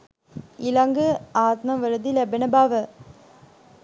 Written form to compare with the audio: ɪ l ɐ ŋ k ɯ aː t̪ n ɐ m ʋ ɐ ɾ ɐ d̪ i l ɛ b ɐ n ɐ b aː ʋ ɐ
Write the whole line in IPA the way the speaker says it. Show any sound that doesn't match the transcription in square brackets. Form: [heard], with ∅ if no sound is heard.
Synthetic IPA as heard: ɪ l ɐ ŋ [ɡ] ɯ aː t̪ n ɐ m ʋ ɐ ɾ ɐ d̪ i l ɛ b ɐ n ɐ b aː ʋ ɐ